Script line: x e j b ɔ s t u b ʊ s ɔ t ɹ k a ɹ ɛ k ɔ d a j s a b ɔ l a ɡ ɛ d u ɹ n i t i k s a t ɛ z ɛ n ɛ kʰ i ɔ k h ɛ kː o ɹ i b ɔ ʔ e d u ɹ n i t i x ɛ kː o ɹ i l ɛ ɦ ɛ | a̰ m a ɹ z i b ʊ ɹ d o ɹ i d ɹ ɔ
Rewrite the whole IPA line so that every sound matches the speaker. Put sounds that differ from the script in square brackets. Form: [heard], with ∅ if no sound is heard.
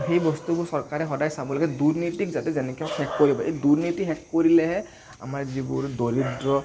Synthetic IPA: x e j b ɔ s t u b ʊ s ɔ [∅] ɹ k a ɹ ɛ [x] ɔ d a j s a b ɔ l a ɡ ɛ d u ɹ n i t i k [z] a t ɛ z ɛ n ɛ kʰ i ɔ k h ɛ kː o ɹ i b ɔ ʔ e d u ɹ n i t i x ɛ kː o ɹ i l ɛ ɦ ɛ | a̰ m a ɹ z i b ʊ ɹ d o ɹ i d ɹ ɔ